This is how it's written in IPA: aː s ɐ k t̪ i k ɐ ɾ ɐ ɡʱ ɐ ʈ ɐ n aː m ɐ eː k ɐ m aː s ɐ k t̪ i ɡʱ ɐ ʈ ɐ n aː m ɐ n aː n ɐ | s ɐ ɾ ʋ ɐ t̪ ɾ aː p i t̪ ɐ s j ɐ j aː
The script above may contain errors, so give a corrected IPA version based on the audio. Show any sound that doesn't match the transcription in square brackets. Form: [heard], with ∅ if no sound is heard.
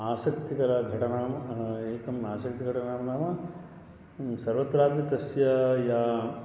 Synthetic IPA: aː s ɐ k t̪ i k ɐ ɾ ɐ ɡʱ ɐ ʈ ɐ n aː m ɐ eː k ɐ m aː s ɐ k t̪ i ɡʱ ɐ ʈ ɐ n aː m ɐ n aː [m] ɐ | s ɐ ɾ ʋ ɐ t̪ ɾ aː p i t̪ ɐ s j ɐ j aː